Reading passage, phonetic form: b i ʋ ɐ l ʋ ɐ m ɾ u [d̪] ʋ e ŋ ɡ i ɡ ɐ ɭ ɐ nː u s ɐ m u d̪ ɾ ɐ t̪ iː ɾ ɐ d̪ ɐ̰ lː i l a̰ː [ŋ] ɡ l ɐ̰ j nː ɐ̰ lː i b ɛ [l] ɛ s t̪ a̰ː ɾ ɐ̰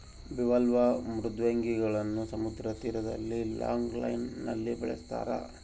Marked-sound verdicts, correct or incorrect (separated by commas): correct, correct, incorrect